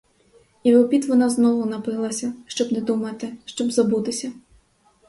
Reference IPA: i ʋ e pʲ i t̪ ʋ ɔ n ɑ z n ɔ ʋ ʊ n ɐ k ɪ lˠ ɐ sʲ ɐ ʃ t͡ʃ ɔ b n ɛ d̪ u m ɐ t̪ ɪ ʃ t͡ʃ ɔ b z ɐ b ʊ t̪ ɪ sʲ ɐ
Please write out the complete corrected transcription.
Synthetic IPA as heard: i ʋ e pʲ i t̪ ʋ ɔ n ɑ z n ɔ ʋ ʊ n ɐ p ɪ lˠ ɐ sʲ ɐ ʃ t͡ʃ ɔ b n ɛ d̪ u m ɐ t̪ ɪ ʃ t͡ʃ ɔ b z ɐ b u t̪ ɪ sʲ ɐ

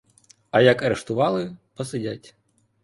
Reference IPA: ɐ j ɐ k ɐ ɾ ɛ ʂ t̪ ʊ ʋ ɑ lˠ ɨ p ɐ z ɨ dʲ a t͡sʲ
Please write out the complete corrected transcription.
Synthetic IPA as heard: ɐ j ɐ k ɐ ɾ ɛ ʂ t̪ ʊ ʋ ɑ lˠ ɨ p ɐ s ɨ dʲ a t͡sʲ

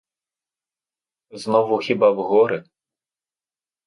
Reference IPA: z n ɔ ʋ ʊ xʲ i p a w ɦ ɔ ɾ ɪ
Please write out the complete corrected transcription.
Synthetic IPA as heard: z n ɔ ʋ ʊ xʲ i b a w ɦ ɔ ɾ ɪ

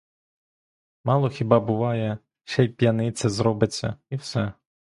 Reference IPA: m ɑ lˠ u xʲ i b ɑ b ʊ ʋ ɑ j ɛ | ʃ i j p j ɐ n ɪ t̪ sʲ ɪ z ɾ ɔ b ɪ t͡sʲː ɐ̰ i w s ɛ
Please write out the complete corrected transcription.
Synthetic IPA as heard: m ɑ lˠ ɔ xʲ i b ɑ b ʊ ʋ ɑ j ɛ | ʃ ɛ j p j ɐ n ɪ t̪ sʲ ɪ z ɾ ɔ b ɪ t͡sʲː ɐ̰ i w s ɛ

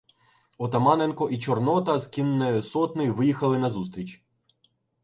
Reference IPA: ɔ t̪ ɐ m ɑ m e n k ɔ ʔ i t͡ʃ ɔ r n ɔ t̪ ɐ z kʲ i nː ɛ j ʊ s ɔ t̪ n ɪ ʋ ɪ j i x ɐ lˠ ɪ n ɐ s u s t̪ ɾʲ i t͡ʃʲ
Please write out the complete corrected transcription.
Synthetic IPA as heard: ɔ t̪ ɐ m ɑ n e n k ɔ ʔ i t͡ʃ ɔ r n ɔ t̪ ɐ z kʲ i nː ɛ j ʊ s ɔ t̪ n ɪ ʋ ɪ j i x ɐ lˠ ɪ n ɐ z u s t̪ ɾʲ i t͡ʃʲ

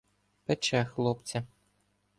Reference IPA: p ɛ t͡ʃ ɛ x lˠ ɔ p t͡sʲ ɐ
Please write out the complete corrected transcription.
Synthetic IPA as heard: p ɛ t͡ʃ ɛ x lˠ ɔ p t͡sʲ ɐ

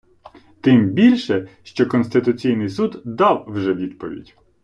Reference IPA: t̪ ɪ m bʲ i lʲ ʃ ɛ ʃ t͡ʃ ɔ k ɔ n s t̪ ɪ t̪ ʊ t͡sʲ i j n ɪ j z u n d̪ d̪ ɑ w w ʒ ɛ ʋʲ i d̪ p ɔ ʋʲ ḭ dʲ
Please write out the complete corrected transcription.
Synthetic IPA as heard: t̪ ɪ m bʲ i lʲ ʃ ɛ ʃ t͡ʃ ɔ k ɔ n s t̪ ɪ t̪ ʊ t͡sʲ i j n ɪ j s u d̪ d̪ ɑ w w ʒ ɛ ʋʲ i d̪ p ɔ ʋʲ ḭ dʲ

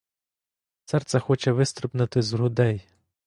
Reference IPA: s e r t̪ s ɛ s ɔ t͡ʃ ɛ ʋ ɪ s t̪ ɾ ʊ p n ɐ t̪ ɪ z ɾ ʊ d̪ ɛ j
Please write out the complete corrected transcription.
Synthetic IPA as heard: s ɛ r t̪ s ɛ x ɔ t͡ʃ ɛ ʋ ɪ s t̪ ɾ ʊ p n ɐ t̪ ɪ z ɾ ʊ d̪ ɛ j

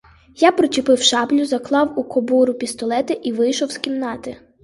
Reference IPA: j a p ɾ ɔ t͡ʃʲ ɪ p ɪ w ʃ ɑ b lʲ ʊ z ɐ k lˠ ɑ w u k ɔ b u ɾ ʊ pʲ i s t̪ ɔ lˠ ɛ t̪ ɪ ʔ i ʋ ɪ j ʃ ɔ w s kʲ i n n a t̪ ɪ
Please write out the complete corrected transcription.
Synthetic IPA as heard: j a p ɾ ɔ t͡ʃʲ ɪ p ɪ w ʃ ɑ b lʲ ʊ z ɐ k lˠ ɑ w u k ɔ b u ɾ ʊ pʲ i s t̪ ɔ lˠ ɛ t̪ ɪ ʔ i ʋ ɪ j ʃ ɔ w s kʲ i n n ɑ t̪ ɪ

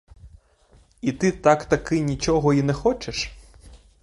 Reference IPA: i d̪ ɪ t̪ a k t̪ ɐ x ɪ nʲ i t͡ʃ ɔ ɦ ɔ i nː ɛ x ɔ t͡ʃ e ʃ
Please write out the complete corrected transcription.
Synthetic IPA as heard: i t̪ ɪ t̪ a k t̪ ɐ k ɪ nʲ i t͡ʃ ɔ ɦ ɔ i n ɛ x ɔ t͡ʃ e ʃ

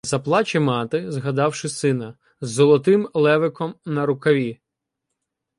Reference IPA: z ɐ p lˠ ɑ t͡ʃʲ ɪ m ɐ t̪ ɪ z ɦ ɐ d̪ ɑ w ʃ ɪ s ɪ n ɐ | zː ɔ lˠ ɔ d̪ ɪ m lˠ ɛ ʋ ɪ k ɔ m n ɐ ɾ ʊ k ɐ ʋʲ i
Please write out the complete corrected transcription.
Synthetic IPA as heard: z ɐ p lˠ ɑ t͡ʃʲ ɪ m ɑ t̪ ɪ z ɦ ɐ d̪ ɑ w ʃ ɪ s ɪ n ɐ | zː ɔ lˠ ɔ t̪ ɪ m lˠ ɛ ʋ ɪ k ɔ m n ɐ ɾ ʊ k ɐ ʋʲ i

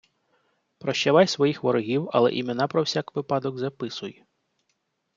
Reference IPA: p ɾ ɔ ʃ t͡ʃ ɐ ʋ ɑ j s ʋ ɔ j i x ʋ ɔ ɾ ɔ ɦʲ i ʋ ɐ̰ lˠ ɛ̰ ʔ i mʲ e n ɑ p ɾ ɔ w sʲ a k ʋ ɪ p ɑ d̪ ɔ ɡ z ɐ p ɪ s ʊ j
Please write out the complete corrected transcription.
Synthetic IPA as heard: p ɾ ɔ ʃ t͡ʃ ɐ ʋ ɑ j s ʋ ɔ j i x ʋ ɔ ɾ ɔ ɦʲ i w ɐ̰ lˠ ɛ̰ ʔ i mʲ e n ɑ p ɾ ɔ w sʲ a k ʋ ɪ p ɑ d̪ ɔ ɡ z ɐ p ɪ s ʊ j

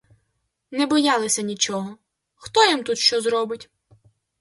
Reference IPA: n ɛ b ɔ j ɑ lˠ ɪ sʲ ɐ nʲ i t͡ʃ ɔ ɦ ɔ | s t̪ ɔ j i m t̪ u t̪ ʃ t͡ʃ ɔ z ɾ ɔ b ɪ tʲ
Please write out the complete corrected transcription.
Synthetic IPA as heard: n ɛ b ɔ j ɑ lˠ ɪ sʲ ɐ nʲ i t͡ʃ ɔ ɦ ɔ | x t̪ ɔ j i m t̪ u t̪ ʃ t͡ʃ ɔ z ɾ ɔ b ɪ tʲ

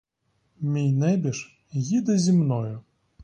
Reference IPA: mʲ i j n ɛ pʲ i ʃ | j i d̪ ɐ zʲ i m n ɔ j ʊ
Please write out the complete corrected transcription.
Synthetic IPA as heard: mʲ i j n ɛ bʲ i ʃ | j i d̪ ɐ zʲ i m n ɔ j ʊ

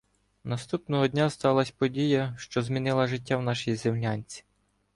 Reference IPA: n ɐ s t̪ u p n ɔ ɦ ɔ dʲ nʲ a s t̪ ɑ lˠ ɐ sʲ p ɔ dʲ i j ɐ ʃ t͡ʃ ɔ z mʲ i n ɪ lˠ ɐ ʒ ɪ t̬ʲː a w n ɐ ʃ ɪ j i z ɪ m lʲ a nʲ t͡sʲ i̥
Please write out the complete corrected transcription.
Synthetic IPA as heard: n ɐ s t̪ u p n ɔ ɦ ɔ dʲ nʲ a s t̪ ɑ lˠ ɐ sʲ p ɔ dʲ i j ɐ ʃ t͡ʃ ɔ z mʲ i n ɪ lˠ ɐ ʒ ɪ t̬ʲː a w n ɑ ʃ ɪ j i z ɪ m lʲ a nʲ t͡sʲ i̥

